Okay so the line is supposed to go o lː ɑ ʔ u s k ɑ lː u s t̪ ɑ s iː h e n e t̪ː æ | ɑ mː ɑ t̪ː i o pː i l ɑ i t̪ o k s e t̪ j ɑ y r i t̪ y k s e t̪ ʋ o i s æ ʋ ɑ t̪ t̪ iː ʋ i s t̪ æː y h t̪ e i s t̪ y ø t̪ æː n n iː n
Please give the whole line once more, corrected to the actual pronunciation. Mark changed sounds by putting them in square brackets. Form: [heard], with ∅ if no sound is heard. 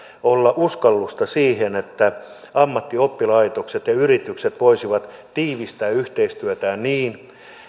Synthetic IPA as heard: o lː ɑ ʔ u s k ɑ lː u s t̪ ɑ s iː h e n e t̪ː æ | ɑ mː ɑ t̪ː i o pː i l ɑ i t̪ o k s e t̪ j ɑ y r i t̪ y k s e t̪ ʋ o i s [i] ʋ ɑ t̪ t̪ iː ʋ i s t̪ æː y h t̪ e i s t̪ y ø t̪ æː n n iː n